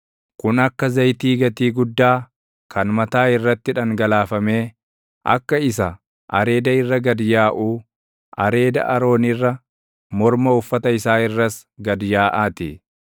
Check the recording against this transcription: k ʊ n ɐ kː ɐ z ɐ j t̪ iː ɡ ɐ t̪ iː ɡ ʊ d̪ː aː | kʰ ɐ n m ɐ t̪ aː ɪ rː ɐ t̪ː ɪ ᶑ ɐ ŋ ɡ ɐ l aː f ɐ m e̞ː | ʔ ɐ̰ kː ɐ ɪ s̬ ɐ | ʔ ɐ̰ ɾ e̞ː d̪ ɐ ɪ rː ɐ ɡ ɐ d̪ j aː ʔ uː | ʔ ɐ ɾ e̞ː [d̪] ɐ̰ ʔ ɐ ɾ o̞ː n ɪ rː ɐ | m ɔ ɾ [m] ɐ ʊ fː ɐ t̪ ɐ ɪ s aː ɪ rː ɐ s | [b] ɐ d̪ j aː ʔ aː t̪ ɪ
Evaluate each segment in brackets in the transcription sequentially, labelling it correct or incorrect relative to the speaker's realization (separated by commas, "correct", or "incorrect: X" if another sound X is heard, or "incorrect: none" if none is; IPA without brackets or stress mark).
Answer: correct, correct, incorrect: ɡ